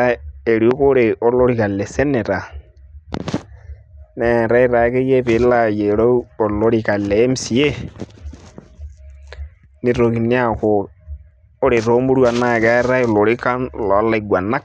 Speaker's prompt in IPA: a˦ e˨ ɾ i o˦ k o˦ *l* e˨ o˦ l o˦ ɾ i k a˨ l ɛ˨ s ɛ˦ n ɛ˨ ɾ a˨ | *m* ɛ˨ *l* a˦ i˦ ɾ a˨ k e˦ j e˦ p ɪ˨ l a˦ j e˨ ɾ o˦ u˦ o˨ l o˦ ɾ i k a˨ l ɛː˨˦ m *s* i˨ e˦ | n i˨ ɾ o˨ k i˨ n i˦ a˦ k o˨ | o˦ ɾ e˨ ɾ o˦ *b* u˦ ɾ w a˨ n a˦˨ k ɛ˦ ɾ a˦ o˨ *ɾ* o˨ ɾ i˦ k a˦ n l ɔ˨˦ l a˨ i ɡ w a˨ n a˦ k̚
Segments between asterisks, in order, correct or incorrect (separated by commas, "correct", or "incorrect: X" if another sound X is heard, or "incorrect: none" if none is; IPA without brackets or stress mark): incorrect: ɾ, incorrect: n, incorrect: ɾ, correct, incorrect: m, incorrect: l